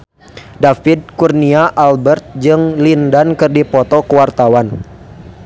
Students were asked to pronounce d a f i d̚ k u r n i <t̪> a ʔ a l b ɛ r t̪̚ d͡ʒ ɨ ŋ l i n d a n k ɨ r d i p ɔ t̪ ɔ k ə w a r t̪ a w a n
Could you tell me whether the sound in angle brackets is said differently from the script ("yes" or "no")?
yes